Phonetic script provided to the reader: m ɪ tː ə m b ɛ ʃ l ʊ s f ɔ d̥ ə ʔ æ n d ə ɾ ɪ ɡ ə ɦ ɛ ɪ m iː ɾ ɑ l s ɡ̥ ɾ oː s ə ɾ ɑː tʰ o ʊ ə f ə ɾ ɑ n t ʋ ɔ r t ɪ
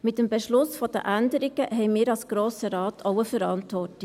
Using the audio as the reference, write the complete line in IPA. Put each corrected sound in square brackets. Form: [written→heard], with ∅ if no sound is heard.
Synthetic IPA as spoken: m ɪ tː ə m b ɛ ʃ l ʊ s f ɔ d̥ ə ʔ æ n d ə ɾ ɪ ɡ ə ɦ ɛ ɪ m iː ɾ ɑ l s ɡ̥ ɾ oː s ə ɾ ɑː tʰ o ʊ ə f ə ɾ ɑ n t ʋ ɔ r t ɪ